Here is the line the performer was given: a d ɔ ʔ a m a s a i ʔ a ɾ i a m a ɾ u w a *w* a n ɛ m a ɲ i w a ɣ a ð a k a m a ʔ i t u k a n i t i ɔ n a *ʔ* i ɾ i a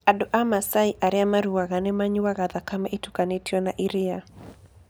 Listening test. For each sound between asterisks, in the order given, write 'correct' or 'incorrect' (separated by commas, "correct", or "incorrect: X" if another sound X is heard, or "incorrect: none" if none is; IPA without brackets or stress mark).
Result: incorrect: ɣ, correct